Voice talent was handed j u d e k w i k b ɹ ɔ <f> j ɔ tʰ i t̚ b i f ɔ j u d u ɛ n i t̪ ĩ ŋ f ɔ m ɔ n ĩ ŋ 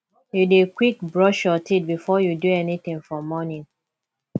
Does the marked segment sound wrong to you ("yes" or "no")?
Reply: yes